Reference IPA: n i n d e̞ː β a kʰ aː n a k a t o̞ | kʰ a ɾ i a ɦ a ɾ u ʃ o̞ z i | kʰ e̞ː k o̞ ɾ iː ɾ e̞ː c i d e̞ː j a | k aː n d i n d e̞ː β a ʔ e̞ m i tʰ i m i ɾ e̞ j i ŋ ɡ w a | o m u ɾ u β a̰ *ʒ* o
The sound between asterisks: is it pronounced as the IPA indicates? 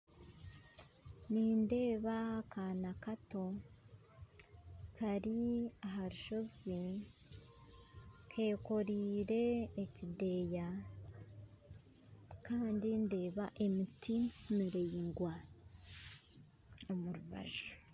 yes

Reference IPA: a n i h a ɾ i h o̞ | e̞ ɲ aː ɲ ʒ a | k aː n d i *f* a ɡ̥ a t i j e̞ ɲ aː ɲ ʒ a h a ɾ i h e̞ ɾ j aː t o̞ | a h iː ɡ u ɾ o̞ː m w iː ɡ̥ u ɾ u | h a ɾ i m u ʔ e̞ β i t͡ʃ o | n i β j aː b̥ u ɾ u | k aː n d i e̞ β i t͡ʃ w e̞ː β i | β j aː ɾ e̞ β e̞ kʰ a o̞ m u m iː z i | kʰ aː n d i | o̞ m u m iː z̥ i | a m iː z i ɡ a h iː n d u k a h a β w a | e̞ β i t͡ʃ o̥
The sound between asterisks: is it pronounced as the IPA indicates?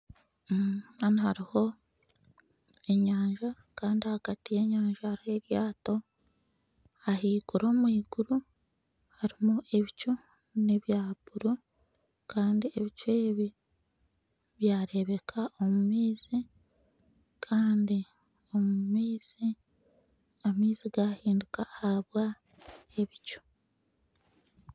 no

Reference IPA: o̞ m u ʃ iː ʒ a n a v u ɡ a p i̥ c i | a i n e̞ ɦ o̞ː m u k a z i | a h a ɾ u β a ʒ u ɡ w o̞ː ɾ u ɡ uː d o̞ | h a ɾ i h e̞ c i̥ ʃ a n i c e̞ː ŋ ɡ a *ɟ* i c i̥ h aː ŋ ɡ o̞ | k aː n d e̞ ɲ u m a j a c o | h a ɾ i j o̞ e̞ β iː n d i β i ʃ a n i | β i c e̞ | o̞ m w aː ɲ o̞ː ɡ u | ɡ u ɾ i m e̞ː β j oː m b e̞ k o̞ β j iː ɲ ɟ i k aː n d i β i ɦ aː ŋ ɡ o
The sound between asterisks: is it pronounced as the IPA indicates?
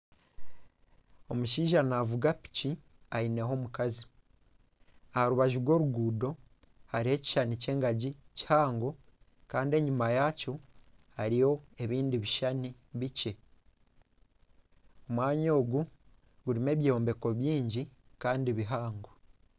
yes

